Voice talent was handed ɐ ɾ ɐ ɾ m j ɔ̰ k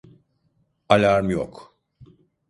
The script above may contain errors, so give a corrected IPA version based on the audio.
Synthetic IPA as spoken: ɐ l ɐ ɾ m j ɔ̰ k